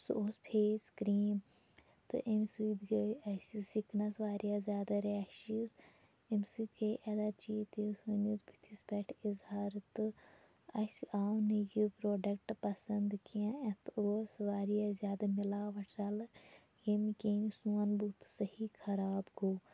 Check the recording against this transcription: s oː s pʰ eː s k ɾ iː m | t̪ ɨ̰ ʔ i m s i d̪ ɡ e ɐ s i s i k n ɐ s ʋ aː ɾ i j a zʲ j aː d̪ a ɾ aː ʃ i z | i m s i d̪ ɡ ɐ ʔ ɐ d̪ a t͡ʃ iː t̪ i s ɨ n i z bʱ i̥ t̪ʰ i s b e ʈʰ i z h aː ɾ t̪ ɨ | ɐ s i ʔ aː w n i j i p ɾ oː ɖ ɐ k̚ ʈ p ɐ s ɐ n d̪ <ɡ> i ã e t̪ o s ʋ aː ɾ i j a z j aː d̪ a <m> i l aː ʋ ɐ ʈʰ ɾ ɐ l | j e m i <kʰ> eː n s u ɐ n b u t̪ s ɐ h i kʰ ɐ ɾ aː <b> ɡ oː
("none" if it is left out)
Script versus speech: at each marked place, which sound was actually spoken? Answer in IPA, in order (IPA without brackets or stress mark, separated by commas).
k, m, k, b